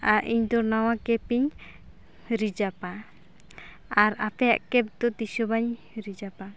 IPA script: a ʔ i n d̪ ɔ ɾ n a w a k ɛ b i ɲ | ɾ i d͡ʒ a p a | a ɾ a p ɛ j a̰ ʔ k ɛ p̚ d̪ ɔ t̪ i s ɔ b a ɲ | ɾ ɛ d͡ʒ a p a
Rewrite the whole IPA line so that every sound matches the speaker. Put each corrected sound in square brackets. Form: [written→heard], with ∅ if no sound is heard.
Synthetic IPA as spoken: a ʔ i [n→ɲ] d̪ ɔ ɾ n a w a k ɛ [b→p] i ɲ | ɾ i d͡ʒ a p a | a ɾ a p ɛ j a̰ ʔ k ɛ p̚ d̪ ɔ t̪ i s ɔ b a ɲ | ɾ [ɛ→i] d͡ʒ a p a

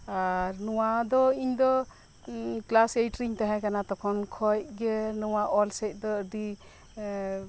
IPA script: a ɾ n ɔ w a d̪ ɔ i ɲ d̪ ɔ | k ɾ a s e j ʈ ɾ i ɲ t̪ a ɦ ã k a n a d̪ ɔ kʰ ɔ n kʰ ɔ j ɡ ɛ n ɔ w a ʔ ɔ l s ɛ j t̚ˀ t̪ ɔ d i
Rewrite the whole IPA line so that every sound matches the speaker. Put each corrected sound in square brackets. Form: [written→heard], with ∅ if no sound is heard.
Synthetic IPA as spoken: a ɾ n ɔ w a d̪ ɔ i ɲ d̪ ɔ | k [ɾ→l] a s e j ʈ ɾ i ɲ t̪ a ɦ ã k a n a [d̪→t̪] ɔ kʰ ɔ n kʰ ɔ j ɡ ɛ n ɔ w a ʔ ɔ l s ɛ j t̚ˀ [t̪→d̪] ɔ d i

